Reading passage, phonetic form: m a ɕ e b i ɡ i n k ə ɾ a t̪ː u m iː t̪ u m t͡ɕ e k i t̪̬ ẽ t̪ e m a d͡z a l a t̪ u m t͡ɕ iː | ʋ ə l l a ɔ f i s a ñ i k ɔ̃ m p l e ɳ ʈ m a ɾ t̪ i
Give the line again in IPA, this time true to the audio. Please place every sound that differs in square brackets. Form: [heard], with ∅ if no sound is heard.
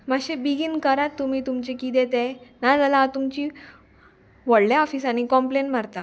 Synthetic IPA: m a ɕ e b i ɡ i n k ə ɾ a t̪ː u m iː t̪ u m t͡ɕ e k i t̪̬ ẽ t̪ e [n] a d͡z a l a t̪ u m t͡ɕ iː | ʋ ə [ɽ] l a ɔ f i s a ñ i k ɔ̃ m p l e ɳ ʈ m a ɾ t̪ [a]